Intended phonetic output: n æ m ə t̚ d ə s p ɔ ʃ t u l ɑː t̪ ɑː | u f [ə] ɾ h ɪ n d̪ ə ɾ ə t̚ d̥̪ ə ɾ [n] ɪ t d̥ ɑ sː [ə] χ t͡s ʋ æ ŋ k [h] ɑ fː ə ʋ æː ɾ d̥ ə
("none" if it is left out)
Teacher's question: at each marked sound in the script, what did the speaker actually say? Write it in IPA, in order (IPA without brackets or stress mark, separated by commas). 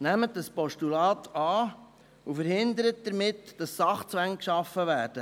ə, m, ɑ, ʃ